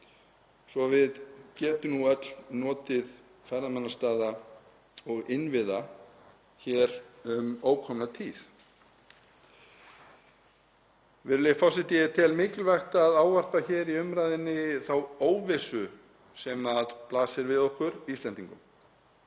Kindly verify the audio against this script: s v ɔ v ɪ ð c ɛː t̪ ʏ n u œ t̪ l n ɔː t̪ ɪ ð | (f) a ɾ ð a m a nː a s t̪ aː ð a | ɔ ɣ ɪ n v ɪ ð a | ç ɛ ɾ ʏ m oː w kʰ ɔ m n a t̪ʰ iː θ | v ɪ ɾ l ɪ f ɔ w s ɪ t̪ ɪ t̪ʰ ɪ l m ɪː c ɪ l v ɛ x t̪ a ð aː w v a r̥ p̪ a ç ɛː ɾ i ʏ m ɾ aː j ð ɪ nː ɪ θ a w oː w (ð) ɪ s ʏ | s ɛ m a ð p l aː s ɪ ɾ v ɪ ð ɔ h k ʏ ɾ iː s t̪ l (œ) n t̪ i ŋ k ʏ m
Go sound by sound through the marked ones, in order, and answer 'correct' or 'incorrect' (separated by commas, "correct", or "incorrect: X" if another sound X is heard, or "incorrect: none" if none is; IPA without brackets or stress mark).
correct, incorrect: v, incorrect: ɛ